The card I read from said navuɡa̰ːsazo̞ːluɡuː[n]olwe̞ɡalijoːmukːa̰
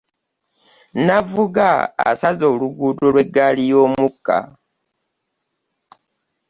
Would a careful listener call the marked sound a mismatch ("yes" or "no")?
yes